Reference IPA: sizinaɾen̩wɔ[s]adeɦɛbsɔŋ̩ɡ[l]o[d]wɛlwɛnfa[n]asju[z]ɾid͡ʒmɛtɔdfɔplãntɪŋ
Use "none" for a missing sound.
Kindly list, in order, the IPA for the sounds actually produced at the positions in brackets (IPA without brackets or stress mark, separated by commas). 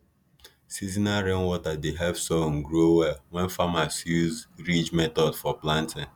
t, ɾ, none, m, z